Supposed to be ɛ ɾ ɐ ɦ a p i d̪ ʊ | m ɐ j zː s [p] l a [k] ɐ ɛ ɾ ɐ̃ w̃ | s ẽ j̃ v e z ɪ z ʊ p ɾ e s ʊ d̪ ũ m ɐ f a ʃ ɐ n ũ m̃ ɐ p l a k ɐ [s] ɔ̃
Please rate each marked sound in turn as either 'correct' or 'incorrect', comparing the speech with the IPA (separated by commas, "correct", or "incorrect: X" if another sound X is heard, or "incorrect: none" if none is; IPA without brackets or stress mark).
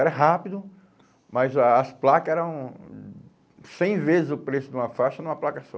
correct, correct, correct